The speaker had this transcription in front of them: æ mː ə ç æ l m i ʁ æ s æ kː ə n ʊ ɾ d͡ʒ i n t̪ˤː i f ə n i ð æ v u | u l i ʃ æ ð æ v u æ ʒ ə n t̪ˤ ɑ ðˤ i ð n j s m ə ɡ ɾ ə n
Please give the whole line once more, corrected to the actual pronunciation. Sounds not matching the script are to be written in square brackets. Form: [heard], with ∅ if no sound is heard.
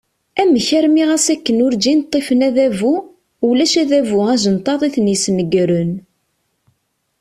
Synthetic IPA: æ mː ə ç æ [ɾ] m i ʁ æ s æ kː ə n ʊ ɾ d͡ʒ i n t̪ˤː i f ə n [æ] ð æ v u | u l [æ] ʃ æ ð æ v u æ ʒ ə n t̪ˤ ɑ ðˤ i [θ] n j s [n] ə ɡ ɾ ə n